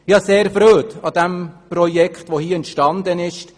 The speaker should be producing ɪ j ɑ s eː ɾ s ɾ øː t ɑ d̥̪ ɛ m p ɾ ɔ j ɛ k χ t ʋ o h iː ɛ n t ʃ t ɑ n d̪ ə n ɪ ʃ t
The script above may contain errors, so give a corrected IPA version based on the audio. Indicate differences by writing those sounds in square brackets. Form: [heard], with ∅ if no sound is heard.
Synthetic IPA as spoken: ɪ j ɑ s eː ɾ [f] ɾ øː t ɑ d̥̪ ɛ m p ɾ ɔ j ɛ k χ t ʋ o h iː ɛ n t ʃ t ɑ n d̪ ə n ɪ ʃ t